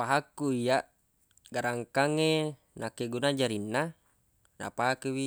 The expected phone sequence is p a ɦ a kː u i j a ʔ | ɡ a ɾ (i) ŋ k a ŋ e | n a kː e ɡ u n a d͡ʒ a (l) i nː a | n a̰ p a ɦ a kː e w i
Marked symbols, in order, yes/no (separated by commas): no, no